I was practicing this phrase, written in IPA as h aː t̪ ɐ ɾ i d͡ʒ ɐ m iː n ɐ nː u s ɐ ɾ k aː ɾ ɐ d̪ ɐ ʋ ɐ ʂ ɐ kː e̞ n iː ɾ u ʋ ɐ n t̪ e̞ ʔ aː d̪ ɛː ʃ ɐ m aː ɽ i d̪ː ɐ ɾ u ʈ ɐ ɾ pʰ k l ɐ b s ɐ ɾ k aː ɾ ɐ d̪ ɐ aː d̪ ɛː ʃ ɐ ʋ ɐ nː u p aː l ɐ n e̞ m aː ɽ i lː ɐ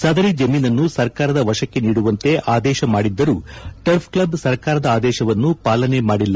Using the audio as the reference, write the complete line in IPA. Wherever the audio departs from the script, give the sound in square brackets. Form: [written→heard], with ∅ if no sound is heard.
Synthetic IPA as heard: [h→s] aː [t̪→d̪] ɐ ɾ i d͡ʒ ɐ m iː n ɐ nː u s ɐ ɾ k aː ɾ ɐ d̪ ɐ ʋ ɐ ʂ ɐ kː e̞ n iː [ɾ→ɽ] u ʋ ɐ n t̪ e̞ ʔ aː d̪ ɛː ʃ ɐ m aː ɽ i d̪ː ɐ ɾ u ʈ ɐ ɾ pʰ k l ɐ b s ɐ ɾ k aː ɾ ɐ d̪ ɐ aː d̪ ɛː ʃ ɐ ʋ ɐ nː u p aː l ɐ n e̞ m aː ɽ i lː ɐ

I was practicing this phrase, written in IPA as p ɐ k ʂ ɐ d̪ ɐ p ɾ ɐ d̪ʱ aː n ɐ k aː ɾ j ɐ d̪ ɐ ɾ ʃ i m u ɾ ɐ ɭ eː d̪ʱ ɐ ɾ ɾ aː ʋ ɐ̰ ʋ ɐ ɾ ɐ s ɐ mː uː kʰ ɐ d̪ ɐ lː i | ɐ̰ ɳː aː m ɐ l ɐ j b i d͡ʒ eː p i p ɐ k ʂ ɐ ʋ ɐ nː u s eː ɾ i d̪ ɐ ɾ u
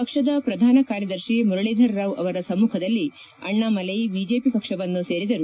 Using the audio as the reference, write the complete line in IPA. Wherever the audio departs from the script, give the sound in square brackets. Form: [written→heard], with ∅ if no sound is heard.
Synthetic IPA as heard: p ɐ k ʂ ɐ d̪ ɐ p ɾ ɐ d̪ʱ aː n ɐ k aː ɾ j ɐ d̪ ɐ ɾ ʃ i m u ɾ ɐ ɭ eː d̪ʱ ɐ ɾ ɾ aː ʋ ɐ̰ ʋ ɐ ɾ ɐ s ɐ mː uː kʰ ɐ d̪ ɐ lː i | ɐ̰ ɳː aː m ɐ l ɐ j b i d͡ʒ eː p i p ɐ k ʂ ɐ ʋ ɐ nː u s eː ɾ i d̪ ɐ ɾ u

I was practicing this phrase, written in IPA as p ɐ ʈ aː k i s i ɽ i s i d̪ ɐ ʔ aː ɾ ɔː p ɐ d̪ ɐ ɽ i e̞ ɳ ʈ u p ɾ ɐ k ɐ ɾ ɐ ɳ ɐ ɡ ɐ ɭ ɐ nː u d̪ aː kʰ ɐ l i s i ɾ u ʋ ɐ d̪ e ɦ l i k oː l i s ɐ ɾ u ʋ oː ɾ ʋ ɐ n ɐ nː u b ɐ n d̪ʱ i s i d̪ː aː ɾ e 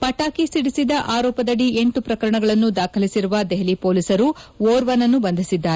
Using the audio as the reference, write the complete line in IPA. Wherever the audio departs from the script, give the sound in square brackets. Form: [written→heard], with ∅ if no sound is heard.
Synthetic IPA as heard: p ɐ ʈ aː k i s i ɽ i s i d̪ ɐ ʔ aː ɾ ɔː p ɐ d̪ ɐ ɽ i e̞ ɳ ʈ u p ɾ ɐ k ɐ ɾ ɐ ɳ ɐ ɡ ɐ ɭ ɐ nː u d̪ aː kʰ ɐ l i s i ɾ u ʋ ɐ d̪ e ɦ l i [k→p] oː l i s ɐ ɾ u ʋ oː ɾ ʋ ɐ n ɐ nː u b ɐ n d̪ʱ i s i d̪ː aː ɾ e

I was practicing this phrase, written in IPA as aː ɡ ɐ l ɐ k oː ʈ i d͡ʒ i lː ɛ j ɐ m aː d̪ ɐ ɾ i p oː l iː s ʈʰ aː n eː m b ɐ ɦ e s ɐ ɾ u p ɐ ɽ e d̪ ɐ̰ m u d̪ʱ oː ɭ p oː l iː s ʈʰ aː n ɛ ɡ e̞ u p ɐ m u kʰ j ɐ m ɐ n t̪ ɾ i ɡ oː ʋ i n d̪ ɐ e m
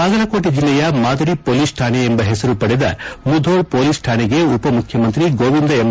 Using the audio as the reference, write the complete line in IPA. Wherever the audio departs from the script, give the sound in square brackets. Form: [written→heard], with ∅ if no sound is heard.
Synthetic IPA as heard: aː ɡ ɐ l ɐ k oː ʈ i d͡ʒ i lː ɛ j ɐ m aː d̪ ɐ ɾ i p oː l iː s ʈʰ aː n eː m b ɐ ɦ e s ɐ ɾ u p ɐ ɽ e d̪ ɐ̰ m u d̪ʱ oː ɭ p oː l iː s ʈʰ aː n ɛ ɡ e̞ u p ɐ m u kʰ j ɐ m ɐ n t̪ ɾ i ɡ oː ʋ i n d̪ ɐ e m

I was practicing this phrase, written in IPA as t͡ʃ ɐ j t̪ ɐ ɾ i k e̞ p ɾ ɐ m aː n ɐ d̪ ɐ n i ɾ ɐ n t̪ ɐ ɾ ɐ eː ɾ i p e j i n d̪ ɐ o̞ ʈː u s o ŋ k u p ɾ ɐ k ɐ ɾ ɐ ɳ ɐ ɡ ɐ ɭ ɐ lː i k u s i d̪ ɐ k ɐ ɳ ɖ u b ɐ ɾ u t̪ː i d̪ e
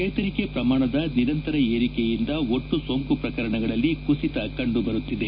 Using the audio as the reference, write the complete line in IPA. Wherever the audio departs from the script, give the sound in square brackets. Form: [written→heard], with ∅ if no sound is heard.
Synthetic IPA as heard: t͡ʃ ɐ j t̪ ɐ ɾ i k e̞ p ɾ ɐ m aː [n→ɳ] ɐ d̪ ɐ n i ɾ ɐ n t̪ ɐ ɾ ɐ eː ɾ i [p→k] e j i n d̪ ɐ o̞ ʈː u s o ŋ k u p ɾ ɐ k ɐ ɾ ɐ ɳ ɐ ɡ ɐ ɭ ɐ lː i k u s i [d̪→t̪] ɐ k ɐ ɳ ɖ u b ɐ ɾ u t̪ː i d̪ e

